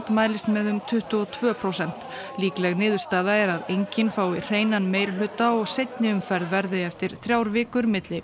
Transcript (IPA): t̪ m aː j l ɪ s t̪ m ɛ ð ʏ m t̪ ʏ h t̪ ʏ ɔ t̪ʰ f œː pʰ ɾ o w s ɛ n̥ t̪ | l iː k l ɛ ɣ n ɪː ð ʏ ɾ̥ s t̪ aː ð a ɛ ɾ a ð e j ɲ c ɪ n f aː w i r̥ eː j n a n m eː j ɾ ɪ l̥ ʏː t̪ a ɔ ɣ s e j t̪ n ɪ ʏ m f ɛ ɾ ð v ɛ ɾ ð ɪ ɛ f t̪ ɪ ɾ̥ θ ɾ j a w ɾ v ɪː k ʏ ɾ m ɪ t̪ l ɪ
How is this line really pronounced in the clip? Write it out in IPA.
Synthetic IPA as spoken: t̪ m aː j l ɪ s t̪ m ɛ ð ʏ m t̪ʰ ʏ h t̪ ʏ ɔ t̪ʰ v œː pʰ ɾ o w s ɛ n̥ t̪ | l iː k l ɛ ɣ n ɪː ð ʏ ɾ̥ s t̪ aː ð a ɛ ɾ a ð e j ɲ c ɪ n f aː w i r̥ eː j n a n m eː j ɾ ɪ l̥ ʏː t̪ a ɔ ɣ s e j t̪ n ɪ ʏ m f ɛ ɾ ð v ɛ ɾ ð ɪ ɛ f t̪ ɪ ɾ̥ θ ɾ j a w ɾ v ɪː k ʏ ɾ m ɪ t̪ l ɪ